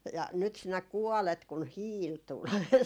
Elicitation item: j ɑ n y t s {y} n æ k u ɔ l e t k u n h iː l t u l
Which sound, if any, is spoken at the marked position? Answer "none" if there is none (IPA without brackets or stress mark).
i